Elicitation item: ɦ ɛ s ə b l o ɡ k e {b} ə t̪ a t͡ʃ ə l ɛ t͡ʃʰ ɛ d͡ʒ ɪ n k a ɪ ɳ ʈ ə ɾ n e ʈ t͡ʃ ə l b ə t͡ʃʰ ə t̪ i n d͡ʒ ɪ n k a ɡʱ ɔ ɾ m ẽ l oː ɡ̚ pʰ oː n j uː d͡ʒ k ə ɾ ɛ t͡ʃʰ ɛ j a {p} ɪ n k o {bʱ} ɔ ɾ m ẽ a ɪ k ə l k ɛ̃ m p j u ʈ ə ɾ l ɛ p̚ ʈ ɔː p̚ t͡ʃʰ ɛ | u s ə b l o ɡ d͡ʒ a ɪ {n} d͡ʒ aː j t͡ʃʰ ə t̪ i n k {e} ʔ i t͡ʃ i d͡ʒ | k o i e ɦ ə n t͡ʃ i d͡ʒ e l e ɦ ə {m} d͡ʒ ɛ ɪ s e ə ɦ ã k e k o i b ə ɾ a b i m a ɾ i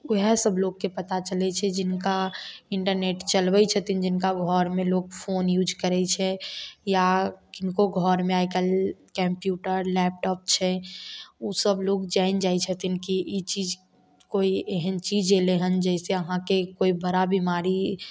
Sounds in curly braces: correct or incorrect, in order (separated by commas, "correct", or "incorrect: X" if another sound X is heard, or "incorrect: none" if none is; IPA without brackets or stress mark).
incorrect: p, incorrect: k, incorrect: ɡʱ, correct, incorrect: i, incorrect: n